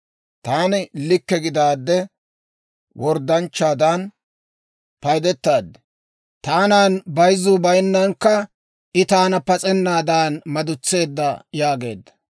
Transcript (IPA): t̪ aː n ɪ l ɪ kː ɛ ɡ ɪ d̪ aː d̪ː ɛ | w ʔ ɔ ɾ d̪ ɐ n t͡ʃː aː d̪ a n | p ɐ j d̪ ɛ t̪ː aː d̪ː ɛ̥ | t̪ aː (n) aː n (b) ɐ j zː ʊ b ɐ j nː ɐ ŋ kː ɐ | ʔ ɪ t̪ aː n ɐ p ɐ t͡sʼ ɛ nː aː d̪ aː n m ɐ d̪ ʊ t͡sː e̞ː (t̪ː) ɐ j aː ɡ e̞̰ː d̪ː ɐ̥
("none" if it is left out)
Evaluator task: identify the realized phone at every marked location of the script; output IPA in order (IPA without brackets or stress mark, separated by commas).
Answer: n, b, d̪ː